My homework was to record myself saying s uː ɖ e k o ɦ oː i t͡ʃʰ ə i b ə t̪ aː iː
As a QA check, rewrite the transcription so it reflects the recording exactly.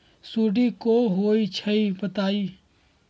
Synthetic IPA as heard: s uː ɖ i k o ɦ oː i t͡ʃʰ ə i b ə t̪ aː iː